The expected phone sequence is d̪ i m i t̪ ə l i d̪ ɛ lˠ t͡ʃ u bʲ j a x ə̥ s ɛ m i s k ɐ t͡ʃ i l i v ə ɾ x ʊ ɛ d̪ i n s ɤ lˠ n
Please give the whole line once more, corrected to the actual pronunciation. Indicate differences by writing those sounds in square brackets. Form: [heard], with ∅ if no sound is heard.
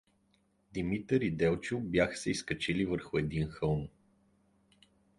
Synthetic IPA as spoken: d̪ i m i t̪ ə [ɾ] i d̪ ɛ lˠ t͡ʃ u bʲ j a x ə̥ s ɛ [∅] i s k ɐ t͡ʃ i l i v ə ɾ x ʊ ɛ d̪ i n [x] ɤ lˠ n